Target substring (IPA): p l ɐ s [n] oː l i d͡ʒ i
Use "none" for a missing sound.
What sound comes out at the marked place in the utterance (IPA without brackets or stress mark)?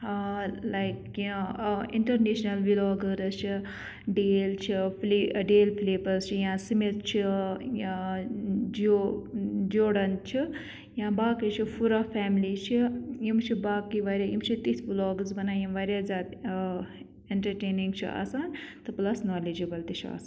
n